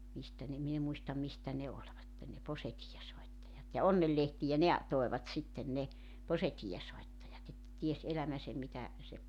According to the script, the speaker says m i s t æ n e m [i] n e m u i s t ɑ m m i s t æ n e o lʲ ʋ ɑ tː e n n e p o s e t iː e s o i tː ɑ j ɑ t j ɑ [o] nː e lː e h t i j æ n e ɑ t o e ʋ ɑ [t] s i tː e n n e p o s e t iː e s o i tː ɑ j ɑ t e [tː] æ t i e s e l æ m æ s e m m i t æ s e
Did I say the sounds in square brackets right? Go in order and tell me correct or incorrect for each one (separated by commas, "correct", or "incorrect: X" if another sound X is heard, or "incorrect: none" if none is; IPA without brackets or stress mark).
correct, correct, correct, correct